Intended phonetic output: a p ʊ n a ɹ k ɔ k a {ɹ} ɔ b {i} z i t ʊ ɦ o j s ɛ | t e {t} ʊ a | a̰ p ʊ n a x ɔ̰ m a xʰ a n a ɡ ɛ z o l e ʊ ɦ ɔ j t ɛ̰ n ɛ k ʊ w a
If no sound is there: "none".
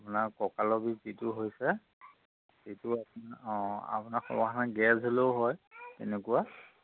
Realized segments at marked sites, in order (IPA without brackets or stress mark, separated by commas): l, i, t